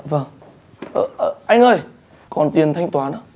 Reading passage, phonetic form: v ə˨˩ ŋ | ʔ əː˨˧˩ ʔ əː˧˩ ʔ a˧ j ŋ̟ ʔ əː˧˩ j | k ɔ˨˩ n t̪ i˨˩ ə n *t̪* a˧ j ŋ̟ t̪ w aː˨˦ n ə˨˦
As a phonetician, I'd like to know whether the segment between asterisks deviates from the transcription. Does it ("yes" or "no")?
yes